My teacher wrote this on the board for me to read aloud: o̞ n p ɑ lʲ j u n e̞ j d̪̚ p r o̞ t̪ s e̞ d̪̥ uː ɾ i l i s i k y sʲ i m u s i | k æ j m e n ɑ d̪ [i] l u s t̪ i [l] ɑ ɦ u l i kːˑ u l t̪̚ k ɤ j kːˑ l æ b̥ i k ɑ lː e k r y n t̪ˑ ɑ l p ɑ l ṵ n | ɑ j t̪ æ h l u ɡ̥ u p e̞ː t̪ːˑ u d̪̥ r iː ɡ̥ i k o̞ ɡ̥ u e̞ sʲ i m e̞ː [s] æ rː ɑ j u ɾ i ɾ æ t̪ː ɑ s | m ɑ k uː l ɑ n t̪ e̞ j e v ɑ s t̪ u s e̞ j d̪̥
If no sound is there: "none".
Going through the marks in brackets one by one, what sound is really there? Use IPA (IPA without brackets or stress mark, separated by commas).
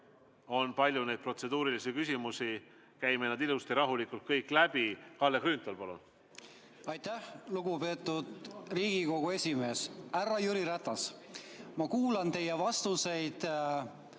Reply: i, ɾ, s